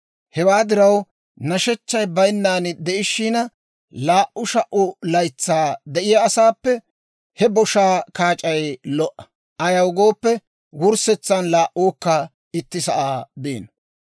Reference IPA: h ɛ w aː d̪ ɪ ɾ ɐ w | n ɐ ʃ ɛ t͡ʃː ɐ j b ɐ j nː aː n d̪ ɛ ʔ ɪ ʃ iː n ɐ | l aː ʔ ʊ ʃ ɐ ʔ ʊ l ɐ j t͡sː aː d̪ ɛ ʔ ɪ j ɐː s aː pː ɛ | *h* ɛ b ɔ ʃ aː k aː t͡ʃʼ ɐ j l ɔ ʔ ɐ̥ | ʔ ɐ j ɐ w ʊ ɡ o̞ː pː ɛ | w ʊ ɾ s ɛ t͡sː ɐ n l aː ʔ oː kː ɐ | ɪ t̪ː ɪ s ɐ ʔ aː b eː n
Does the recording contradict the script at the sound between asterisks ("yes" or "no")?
no